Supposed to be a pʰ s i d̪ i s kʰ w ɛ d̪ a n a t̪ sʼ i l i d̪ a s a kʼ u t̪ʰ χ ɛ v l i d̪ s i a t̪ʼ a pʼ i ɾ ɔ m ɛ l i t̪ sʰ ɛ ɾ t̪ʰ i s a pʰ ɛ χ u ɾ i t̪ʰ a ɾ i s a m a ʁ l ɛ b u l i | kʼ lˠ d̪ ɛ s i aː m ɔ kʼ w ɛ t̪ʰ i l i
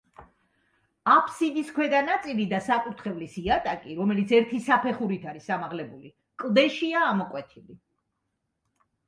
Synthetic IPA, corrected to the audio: a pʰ s i d̪ i s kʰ w ɛ d̪ a n a t̪ sʼ i l i d̪ a s a kʼ u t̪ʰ χ ɛ v l i s i a t̪ʼ a kʼ i ɾ ɔ m ɛ l i t̪ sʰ ɛ ɾ t̪ʰ i s a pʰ ɛ χ u ɾ i t̪ʰ a ɾ i s a m a ʁ l ɛ b u l i | kʼ lˠ d̪ ɛ ʃ i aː m ɔ kʼ w ɛ t̪ʰ i l i